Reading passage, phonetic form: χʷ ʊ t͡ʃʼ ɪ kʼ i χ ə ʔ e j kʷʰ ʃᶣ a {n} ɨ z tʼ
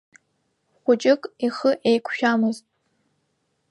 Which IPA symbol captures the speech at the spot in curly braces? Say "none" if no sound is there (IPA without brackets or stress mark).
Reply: m